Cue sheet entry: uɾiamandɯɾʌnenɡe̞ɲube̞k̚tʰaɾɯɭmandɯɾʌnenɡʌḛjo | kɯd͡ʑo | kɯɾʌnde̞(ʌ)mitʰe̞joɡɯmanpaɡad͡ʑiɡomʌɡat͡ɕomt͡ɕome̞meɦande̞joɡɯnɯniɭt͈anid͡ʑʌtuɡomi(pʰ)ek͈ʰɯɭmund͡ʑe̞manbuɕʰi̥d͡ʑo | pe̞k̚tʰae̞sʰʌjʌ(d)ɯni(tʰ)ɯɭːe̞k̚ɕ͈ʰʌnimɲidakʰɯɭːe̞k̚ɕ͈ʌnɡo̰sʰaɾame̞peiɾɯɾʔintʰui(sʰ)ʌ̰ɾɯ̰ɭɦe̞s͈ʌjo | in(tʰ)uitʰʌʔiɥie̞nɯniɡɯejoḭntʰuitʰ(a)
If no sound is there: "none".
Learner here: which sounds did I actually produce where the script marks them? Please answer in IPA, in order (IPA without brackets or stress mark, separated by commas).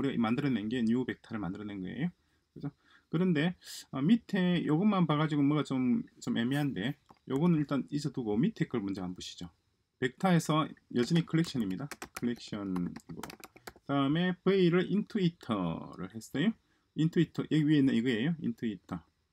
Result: ʌ, tʰ, d͡ʑ, kʰ, tʰ, tʰ, ʌ